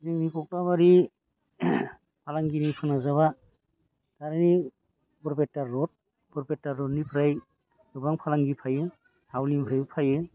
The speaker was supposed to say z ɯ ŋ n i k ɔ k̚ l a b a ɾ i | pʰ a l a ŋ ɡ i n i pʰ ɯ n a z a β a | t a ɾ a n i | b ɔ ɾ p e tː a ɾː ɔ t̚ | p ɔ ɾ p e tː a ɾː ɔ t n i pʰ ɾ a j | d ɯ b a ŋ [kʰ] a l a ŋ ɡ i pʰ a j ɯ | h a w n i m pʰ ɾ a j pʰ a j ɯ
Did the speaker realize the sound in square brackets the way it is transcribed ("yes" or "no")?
no